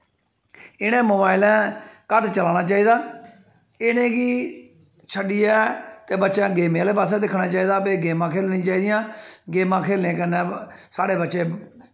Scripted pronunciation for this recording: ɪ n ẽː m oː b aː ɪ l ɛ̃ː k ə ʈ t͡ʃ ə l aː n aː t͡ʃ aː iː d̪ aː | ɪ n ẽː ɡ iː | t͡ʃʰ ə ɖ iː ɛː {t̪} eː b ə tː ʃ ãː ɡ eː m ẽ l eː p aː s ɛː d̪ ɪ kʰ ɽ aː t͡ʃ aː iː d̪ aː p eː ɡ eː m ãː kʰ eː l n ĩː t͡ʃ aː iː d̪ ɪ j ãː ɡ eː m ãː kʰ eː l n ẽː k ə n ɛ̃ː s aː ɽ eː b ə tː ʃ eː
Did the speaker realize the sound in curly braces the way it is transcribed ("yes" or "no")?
yes